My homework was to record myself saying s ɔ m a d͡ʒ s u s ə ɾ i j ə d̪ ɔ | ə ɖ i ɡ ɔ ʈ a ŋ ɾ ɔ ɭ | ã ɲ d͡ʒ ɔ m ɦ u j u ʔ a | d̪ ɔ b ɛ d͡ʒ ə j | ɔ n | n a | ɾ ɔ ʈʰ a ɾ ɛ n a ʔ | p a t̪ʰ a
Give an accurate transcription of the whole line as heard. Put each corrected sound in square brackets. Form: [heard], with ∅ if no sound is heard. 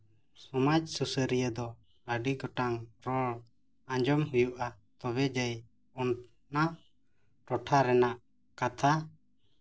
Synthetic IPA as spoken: s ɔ m a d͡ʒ s u s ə ɾ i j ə d̪ ɔ | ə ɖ i ɡ ɔ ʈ a ŋ ɾ ɔ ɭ | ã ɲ d͡ʒ ɔ m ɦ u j u ʔ a | [t̪] ɔ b ɛ d͡ʒ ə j | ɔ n | n a | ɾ ɔ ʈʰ a ɾ ɛ n a ʔ | [k] a t̪ʰ a

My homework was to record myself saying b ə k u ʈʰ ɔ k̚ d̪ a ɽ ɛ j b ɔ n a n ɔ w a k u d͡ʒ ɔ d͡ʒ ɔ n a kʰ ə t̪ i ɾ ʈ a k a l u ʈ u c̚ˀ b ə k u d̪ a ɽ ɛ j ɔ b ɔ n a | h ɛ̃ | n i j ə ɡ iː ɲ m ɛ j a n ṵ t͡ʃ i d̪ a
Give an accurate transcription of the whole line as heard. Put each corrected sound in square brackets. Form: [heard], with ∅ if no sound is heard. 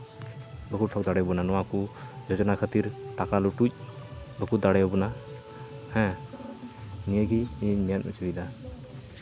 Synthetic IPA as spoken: b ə k u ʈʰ ɔ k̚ d̪ a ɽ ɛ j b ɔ n a n ɔ w a k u d͡ʒ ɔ d͡ʒ ɔ n a kʰ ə t̪ i ɾ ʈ a k a l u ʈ u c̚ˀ b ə k u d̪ a ɽ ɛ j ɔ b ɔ n a | h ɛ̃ | n i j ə ɡ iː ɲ m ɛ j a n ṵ t͡ʃ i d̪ a

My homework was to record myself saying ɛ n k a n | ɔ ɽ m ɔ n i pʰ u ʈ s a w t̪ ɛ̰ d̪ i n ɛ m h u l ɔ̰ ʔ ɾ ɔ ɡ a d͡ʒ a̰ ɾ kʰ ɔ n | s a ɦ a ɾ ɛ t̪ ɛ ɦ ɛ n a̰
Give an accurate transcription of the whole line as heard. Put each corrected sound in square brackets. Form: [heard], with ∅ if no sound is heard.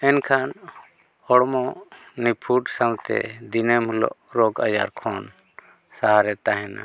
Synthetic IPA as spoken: ɛ n [kʰ] a n | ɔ ɽ m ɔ n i pʰ u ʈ s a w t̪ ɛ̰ d̪ i n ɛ m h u l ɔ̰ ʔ ɾ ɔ ɡ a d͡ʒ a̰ ɾ kʰ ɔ n | s a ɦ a ɾ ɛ t̪ [a] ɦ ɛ n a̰

